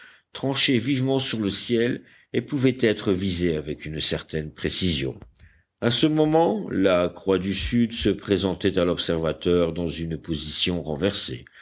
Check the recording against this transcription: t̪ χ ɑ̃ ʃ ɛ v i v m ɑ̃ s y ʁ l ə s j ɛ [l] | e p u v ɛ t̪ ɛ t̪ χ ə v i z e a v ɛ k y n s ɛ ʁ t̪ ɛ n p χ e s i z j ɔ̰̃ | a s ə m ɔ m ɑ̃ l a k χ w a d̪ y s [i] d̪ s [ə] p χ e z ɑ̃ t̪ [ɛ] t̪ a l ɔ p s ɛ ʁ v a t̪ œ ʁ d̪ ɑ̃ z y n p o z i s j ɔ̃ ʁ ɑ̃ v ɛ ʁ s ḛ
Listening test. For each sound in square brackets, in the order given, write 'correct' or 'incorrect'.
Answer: correct, incorrect: y, correct, correct

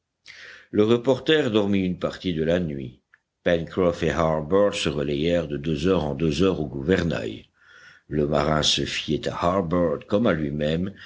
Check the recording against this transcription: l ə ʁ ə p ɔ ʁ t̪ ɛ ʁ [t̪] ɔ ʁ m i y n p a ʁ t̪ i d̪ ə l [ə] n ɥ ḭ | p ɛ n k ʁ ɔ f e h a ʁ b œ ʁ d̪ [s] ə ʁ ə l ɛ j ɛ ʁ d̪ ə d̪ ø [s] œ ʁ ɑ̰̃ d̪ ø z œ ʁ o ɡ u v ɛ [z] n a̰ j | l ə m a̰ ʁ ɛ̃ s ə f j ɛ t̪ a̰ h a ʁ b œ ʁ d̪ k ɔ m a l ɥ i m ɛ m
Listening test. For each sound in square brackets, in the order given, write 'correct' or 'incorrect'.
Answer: incorrect: d̪, incorrect: a, correct, incorrect: z, incorrect: ʁ

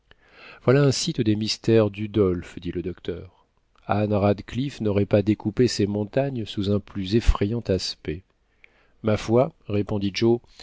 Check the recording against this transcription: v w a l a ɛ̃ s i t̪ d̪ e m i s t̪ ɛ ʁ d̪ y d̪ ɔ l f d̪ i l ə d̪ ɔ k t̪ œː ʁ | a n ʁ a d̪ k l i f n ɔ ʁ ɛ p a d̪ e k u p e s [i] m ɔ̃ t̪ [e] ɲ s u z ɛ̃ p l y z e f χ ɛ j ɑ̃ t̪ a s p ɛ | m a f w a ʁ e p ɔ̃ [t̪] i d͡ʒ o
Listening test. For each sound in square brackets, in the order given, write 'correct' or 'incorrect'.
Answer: incorrect: e, incorrect: a, incorrect: d̪

